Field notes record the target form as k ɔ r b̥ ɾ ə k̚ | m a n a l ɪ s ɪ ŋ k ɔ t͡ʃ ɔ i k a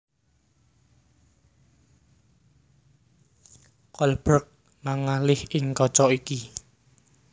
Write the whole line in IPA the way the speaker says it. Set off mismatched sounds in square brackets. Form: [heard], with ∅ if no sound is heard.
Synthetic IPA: k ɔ [l] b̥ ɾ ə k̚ | m a [ŋ] a l ɪ [h] ɪ ŋ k ɔ t͡ʃ ɔ i k [i]

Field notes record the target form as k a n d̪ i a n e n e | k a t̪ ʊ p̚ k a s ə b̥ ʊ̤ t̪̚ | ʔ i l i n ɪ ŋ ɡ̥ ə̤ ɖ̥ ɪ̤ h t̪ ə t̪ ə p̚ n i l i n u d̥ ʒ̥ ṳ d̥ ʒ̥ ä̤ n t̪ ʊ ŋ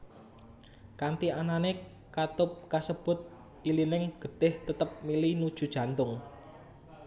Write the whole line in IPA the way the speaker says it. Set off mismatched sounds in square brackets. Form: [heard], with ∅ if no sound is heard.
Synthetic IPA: k a n [t̪] i a n [a] n e | k a t̪ ʊ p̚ k a s ə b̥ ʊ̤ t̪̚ | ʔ i l i n ɪ ŋ ɡ̥ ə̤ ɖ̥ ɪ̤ h t̪ ə t̪ ə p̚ [m] i l i n u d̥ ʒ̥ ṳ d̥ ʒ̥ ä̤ n t̪ ʊ ŋ

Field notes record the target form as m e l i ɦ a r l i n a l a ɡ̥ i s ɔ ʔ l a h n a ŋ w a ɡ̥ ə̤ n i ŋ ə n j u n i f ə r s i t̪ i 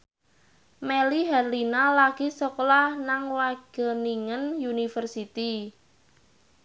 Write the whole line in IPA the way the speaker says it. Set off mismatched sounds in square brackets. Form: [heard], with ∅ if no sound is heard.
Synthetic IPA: m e l i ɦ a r l i n a l a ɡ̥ i s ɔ [k] l a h n a ŋ w a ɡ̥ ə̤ n i ŋ ə n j u n i f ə r s i t̪ i

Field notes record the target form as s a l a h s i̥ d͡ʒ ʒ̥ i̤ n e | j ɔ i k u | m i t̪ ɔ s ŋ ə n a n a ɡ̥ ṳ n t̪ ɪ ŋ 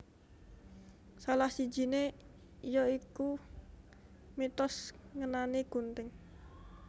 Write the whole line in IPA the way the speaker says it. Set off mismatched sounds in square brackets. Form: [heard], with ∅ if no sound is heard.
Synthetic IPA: s a l a h s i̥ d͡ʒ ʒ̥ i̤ n e | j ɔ i k u | m i t̪ ɔ s ŋ ə n a n [i] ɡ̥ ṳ n t̪ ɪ ŋ

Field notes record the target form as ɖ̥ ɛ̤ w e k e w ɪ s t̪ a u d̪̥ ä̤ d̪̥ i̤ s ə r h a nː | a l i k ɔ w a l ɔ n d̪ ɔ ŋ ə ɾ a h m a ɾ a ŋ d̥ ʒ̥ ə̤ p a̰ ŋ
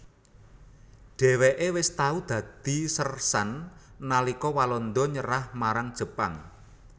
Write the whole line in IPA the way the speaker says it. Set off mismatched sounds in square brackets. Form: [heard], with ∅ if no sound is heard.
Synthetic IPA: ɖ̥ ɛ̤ w e [ʔ] e w ɪ s t̪ a u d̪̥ ä̤ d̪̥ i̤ s ə r [s] a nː | a l i k ɔ w a l ɔ n d̪ ɔ [ɲ] ə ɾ a h m a ɾ a ŋ d̥ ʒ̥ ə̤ p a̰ ŋ

